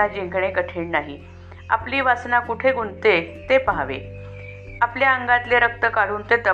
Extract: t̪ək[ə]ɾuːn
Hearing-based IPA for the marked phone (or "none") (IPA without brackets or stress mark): a